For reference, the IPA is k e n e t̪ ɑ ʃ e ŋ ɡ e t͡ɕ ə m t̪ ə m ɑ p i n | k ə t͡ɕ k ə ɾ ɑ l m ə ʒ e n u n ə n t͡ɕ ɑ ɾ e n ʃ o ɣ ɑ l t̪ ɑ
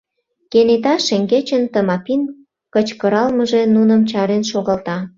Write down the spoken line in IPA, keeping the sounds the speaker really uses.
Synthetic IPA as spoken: k e n e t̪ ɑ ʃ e ŋ ɡ e t͡ɕ ə n t̪ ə m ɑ p i n | k ə t͡ɕ k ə ɾ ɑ l m ə ʒ e n u n ə m t͡ɕ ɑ ɾ e n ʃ o ɣ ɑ l t̪ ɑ